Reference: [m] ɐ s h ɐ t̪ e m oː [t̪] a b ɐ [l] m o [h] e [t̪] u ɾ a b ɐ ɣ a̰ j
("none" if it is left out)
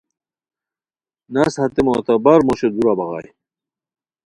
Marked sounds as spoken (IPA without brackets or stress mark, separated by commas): n, t̪, ɾ, ɕ, d̪